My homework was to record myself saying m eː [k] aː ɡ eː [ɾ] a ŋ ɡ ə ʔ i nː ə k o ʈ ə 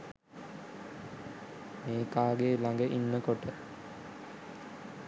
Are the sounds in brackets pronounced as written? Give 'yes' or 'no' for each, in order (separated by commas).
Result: yes, no